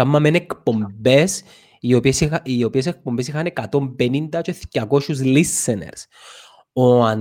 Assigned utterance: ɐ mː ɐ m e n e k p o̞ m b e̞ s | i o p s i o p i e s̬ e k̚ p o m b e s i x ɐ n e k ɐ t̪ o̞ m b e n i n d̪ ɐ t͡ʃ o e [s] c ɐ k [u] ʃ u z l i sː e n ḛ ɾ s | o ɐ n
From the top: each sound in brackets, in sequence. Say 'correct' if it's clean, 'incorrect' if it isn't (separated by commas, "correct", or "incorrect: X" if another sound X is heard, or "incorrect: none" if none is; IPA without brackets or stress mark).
incorrect: θ, incorrect: o